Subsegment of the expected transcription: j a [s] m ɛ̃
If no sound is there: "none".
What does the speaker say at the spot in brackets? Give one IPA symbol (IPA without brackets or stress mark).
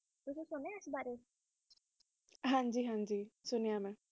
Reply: none